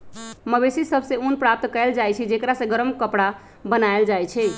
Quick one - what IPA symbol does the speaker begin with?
m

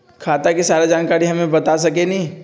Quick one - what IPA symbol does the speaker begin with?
kʰ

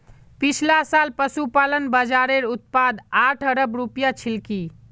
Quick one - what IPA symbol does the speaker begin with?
p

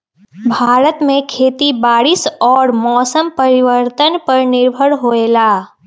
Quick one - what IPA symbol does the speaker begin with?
bʱ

